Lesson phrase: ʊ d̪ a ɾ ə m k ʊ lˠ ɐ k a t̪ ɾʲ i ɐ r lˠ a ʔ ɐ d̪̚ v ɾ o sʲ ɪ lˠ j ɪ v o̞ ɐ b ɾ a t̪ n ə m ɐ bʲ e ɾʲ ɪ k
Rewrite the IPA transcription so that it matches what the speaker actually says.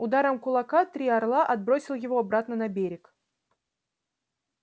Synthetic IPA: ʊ d̪ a ɾ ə m k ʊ lˠ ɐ k a t̪ ɾʲ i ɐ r lˠ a ʔ ɐ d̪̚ b ɾ o sʲ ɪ lˠ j ɪ v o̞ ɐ b ɾ a t̪ n ə n ɐ bʲ e ɾʲ ɪ k